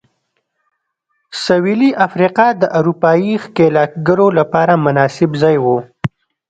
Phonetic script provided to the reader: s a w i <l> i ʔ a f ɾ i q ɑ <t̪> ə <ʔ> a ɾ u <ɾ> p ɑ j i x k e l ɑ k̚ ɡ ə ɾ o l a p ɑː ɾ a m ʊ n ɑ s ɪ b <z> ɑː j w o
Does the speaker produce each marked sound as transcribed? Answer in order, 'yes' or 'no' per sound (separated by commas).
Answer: yes, no, yes, no, yes